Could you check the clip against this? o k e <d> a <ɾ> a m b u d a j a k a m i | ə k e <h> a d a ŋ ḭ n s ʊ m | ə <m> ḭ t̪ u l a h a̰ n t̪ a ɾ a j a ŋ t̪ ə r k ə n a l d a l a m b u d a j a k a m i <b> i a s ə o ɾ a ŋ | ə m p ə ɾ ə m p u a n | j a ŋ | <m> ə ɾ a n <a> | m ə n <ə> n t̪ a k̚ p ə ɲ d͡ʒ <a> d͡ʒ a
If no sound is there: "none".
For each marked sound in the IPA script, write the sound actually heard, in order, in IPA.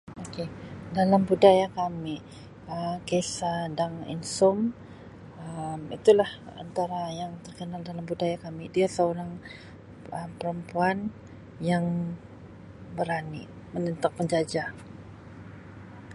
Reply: d, l, s, m, d, b, i, ə, a

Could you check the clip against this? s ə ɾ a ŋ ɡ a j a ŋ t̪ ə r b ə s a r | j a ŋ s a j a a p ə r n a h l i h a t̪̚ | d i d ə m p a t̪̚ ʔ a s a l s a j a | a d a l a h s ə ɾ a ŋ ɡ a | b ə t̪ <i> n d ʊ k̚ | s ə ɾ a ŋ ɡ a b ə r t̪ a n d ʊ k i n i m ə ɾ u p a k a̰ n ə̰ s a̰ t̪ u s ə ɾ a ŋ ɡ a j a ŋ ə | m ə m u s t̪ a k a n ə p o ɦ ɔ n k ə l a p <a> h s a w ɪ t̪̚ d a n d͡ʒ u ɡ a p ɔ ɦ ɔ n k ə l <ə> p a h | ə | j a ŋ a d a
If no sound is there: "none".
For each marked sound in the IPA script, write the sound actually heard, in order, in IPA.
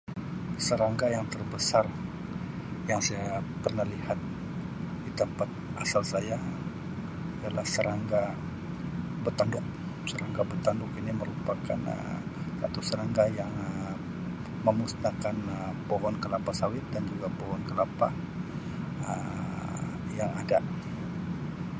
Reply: a, a, a

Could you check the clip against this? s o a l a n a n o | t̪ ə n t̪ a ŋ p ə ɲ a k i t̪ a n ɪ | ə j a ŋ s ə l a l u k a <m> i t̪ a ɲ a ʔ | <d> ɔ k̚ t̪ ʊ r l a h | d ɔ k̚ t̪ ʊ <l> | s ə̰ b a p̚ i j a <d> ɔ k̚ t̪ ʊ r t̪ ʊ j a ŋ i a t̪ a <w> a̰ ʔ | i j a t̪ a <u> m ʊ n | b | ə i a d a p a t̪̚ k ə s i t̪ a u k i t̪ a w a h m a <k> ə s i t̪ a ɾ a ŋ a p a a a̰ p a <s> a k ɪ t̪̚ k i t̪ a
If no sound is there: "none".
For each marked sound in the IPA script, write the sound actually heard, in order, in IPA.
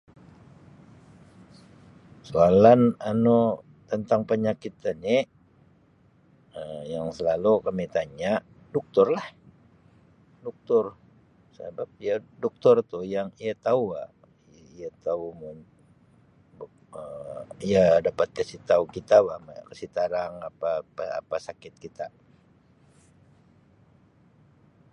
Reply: m, d, r, d, u, u, k, s

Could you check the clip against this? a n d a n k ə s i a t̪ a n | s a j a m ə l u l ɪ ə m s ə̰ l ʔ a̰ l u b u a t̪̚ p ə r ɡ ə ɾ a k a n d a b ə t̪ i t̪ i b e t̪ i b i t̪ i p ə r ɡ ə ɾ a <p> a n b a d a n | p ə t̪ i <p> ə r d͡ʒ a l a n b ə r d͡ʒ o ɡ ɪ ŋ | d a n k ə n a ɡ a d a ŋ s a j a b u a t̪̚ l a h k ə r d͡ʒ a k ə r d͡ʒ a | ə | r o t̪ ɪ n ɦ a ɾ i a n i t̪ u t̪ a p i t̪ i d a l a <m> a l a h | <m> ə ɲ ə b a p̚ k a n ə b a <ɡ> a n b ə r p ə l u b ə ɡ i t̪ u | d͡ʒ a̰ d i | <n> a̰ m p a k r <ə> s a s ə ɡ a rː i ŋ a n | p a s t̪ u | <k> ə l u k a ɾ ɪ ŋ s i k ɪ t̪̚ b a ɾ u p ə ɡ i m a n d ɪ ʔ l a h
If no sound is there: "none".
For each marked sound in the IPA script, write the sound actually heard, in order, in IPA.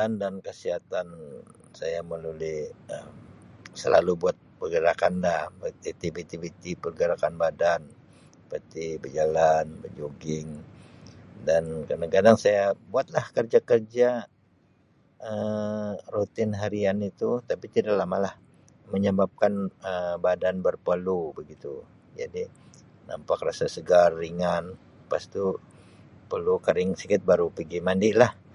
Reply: k, b, m, m, d, n, a, p

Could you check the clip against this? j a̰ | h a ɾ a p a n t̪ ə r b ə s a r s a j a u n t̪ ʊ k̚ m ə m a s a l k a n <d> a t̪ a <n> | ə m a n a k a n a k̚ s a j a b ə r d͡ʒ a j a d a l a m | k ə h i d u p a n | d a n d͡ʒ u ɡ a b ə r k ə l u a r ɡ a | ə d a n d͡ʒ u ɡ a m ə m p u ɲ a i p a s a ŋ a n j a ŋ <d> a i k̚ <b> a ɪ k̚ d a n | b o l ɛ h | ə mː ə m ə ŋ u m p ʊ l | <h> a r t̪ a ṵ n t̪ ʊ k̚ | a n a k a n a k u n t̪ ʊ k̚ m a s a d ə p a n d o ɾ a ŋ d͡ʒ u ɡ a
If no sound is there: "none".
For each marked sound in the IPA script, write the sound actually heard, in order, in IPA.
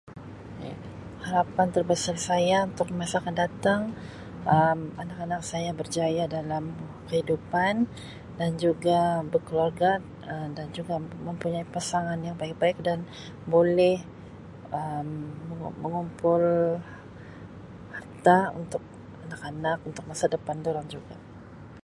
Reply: d, ŋ, b, b, h

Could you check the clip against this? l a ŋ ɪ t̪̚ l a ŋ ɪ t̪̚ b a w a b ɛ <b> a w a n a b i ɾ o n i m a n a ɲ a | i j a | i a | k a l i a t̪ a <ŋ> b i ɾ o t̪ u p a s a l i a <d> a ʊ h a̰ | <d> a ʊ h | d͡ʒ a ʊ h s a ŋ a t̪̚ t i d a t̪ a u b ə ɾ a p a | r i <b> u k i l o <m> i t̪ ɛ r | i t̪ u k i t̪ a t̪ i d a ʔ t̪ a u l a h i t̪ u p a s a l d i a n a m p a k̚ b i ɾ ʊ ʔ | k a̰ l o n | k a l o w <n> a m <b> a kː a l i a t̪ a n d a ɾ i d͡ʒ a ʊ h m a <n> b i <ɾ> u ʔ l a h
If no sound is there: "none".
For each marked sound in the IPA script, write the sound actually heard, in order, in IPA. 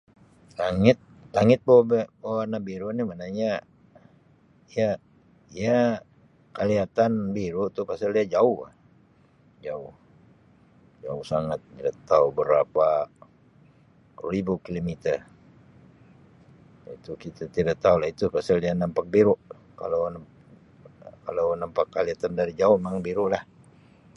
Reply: b, n, d͡ʒ, d͡ʒ, b, m, n, p, ŋ, ɾ

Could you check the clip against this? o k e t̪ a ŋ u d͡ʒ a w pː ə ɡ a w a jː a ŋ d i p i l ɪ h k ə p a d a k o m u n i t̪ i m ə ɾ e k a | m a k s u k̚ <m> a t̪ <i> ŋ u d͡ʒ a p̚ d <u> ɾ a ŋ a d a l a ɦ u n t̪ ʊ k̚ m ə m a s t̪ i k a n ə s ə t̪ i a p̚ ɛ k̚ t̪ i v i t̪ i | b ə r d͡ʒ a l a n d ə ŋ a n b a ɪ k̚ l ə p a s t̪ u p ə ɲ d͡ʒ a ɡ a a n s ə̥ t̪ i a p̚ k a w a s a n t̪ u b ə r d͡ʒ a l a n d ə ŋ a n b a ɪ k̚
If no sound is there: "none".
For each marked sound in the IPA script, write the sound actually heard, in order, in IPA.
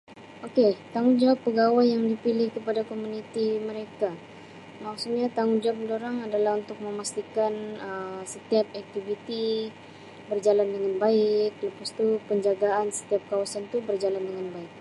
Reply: ɲ, a, o

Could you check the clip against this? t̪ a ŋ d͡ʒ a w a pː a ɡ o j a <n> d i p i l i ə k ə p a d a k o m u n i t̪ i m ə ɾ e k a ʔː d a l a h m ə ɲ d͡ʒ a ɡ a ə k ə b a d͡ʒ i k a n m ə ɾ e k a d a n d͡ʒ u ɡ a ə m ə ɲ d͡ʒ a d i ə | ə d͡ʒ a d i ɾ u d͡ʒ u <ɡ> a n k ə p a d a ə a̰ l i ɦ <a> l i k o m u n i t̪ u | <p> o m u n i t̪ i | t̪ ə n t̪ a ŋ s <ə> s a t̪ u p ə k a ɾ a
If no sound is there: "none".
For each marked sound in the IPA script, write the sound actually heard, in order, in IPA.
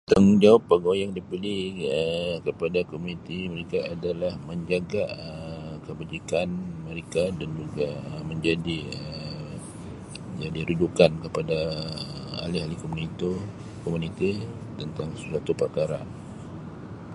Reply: ŋ, k, a, k, ə

